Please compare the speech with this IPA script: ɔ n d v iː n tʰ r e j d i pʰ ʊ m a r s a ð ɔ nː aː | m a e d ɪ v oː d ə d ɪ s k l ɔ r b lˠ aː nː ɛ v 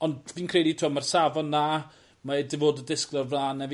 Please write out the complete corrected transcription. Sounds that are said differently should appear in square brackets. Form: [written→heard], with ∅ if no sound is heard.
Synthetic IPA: ɔ n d v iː n [tʰ→kʰ] r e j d i [pʰ→tʰ] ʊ m a r s a [ð→v] ɔ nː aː | m a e d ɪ v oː d ə d ɪ s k l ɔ r [b→v] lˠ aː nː ɛ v